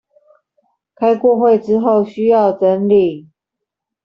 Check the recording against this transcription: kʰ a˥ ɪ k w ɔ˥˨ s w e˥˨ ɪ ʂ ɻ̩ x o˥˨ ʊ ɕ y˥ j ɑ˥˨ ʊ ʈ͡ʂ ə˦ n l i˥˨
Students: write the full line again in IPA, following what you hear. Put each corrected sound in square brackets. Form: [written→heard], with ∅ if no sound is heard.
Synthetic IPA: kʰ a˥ ɪ k w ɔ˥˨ [s→x] w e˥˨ ɪ [ʂ→ʈ͡ʂ] ɻ̩ x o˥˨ ʊ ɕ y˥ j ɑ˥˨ ʊ ʈ͡ʂ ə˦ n l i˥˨